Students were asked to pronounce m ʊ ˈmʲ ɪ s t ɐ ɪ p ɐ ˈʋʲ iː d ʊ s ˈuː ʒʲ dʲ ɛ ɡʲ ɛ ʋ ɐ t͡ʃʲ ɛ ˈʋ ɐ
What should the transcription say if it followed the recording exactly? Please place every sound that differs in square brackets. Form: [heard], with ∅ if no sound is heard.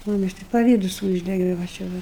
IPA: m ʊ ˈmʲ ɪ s t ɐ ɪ p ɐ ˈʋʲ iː d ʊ s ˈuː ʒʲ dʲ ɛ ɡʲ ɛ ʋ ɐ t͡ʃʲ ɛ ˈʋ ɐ

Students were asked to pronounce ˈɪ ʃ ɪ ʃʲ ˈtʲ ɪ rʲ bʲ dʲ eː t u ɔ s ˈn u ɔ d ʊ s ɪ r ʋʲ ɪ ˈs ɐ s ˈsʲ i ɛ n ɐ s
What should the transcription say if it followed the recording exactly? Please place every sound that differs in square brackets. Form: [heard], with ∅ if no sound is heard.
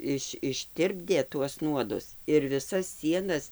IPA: ˈɪ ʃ ɪ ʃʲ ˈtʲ ɪ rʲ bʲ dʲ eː t u ɔ s ˈn u ɔ d ʊ s ɪ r ʋʲ ɪ ˈs ɐ s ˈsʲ i ɛ n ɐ s

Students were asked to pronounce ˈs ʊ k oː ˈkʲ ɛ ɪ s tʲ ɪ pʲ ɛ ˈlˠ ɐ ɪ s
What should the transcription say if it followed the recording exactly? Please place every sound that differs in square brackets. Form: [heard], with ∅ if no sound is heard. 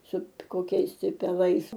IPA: ˈs ʊ k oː ˈkʲ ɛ ɪ s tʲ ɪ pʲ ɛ ˈlˠ ɐ ɪ s

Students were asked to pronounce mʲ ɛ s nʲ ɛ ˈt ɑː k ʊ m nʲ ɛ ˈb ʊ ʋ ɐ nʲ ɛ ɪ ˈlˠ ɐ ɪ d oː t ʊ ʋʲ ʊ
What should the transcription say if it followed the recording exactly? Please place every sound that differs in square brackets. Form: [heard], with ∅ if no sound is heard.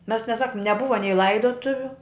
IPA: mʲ ɛ s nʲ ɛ [ˈs] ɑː k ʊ m nʲ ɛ ˈb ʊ ʋ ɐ nʲ ɛ ɪ ˈlˠ ɐ ɪ d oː t ʊ ʋʲ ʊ

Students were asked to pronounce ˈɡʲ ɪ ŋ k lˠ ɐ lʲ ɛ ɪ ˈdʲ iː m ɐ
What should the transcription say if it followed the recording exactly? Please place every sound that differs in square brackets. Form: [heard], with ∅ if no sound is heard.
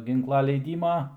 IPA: ˈɡʲ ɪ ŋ k lˠ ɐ lʲ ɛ ɪ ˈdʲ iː m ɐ

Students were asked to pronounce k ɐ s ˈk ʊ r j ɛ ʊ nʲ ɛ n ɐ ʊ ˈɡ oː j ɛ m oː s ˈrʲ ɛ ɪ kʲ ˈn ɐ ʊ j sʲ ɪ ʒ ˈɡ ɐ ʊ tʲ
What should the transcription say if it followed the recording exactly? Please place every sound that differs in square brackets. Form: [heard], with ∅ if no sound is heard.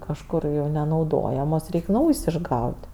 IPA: k ɐ [ʃ] ˈk ʊ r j ɛ ʊ nʲ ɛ n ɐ ʊ [ˈd] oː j ɛ m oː s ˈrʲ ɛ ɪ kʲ ˈn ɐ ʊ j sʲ ɪ ʒ ˈɡ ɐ ʊ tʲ

